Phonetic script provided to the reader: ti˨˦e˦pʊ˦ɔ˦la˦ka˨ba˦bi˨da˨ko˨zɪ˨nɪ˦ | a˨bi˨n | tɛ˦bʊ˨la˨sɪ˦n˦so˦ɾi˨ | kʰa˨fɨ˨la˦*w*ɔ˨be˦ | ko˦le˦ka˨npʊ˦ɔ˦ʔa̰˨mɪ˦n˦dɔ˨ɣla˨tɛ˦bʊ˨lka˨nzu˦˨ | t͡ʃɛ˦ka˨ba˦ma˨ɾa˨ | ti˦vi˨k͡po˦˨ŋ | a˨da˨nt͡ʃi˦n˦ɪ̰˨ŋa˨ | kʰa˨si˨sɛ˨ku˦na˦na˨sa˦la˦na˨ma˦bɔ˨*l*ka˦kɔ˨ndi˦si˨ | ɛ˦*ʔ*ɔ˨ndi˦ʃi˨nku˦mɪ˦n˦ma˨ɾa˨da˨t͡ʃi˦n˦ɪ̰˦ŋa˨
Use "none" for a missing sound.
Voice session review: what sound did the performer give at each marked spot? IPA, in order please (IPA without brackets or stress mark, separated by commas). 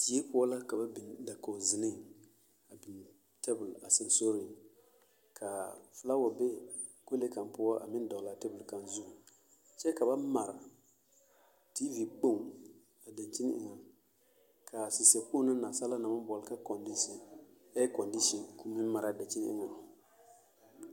w, l, k